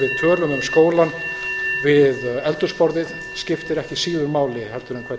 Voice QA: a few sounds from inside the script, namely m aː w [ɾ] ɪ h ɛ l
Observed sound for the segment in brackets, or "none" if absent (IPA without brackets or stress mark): l